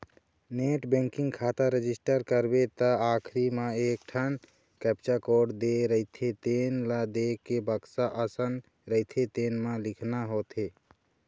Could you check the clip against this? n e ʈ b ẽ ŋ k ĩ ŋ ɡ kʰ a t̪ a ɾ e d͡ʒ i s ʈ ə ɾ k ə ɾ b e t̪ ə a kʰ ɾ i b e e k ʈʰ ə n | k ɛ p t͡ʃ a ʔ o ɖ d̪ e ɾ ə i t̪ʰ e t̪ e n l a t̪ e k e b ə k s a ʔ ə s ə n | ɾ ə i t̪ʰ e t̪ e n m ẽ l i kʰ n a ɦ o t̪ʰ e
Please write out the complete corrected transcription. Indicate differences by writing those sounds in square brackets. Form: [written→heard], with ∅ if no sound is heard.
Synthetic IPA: n e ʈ b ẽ ŋ k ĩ ŋ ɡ kʰ a t̪ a ɾ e d͡ʒ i s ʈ ə ɾ k ə ɾ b e t̪ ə a kʰ ɾ i [b→m] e e k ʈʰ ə n | k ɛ p t͡ʃ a [ʔ→k] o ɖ d̪ e ɾ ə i t̪ʰ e t̪ e n l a [t̪→d̪] e k e b ə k s a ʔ ə s ə n | ɾ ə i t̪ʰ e t̪ e n m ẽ l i kʰ n a ɦ o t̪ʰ e